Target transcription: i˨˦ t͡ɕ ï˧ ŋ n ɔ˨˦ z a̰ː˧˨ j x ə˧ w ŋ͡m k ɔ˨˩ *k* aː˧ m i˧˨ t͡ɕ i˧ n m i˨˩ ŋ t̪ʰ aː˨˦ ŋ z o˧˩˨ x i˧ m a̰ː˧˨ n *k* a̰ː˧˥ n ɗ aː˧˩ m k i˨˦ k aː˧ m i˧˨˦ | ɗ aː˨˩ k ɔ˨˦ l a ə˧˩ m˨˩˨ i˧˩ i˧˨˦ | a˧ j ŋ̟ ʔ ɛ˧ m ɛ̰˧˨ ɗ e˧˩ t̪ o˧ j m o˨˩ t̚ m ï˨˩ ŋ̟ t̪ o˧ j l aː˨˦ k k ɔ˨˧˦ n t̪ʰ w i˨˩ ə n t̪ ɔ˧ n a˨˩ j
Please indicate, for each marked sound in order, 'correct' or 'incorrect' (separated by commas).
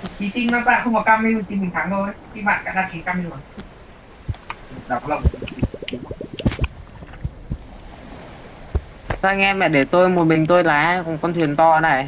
correct, correct